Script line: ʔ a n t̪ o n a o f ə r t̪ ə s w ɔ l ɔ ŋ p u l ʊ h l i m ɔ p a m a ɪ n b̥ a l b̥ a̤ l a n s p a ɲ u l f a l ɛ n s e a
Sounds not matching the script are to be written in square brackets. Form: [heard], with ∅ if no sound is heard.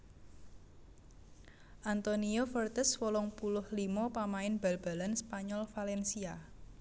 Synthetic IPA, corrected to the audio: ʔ a n t̪ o n [i] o f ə r t̪ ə s w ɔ l ɔ ŋ p u l ʊ h l i m ɔ p a m a ɪ n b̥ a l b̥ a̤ l a n s p a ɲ [ɔ] l f a l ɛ n s [i] a